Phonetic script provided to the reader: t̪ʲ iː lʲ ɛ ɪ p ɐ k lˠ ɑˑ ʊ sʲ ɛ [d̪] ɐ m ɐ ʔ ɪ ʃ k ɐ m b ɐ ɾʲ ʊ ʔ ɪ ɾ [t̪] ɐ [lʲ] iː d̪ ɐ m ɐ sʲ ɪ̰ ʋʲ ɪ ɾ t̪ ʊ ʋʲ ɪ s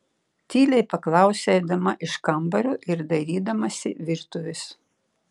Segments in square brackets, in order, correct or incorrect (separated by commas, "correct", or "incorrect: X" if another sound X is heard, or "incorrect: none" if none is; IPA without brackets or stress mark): correct, incorrect: d̪, incorrect: ɾʲ